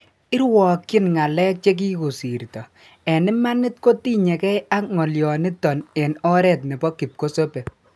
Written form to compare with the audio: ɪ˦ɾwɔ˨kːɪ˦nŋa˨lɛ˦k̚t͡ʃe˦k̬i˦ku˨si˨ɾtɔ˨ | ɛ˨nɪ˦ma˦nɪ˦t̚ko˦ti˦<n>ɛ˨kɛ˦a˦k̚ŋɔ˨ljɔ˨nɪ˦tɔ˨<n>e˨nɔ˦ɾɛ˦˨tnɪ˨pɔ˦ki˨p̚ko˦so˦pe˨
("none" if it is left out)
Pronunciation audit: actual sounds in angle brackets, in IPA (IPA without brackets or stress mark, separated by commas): ɲ, n